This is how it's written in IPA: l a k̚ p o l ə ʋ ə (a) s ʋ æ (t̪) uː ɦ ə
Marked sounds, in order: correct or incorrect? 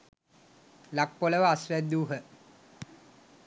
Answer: correct, incorrect: d̪

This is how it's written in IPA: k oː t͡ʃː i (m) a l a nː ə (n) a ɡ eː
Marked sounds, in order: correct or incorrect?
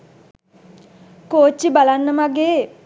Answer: incorrect: b, incorrect: m

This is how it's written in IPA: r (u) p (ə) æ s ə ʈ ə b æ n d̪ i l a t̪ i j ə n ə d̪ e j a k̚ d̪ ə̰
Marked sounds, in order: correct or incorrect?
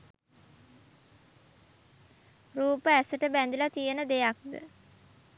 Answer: incorrect: uː, correct

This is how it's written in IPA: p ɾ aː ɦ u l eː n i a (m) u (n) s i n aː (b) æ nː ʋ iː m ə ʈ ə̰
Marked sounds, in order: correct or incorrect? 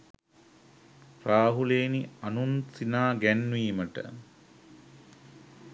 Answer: incorrect: n, correct, incorrect: ɡ

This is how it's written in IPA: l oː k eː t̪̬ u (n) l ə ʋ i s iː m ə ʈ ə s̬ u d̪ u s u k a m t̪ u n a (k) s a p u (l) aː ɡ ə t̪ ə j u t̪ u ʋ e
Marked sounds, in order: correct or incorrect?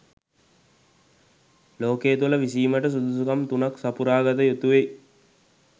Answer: incorrect: none, correct, incorrect: ɾ

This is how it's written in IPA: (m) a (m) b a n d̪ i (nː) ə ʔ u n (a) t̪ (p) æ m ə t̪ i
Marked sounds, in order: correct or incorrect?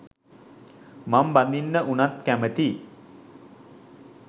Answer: correct, correct, correct, correct, incorrect: k

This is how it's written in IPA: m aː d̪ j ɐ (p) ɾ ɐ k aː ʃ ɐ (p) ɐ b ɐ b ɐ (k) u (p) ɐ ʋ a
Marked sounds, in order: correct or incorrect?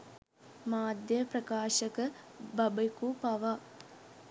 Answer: correct, incorrect: k, correct, correct

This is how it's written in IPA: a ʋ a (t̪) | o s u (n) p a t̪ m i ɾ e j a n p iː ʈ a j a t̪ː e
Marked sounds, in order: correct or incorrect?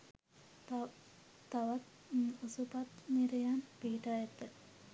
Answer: correct, incorrect: none

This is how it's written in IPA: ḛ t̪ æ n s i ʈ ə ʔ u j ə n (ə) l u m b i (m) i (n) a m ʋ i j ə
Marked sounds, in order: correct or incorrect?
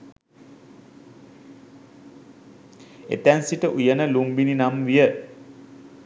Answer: correct, incorrect: n, correct

